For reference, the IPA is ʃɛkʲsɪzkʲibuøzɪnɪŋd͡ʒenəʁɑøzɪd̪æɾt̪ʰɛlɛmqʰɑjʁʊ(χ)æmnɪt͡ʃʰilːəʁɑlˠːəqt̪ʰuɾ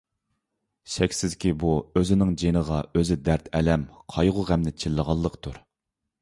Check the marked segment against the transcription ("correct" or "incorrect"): incorrect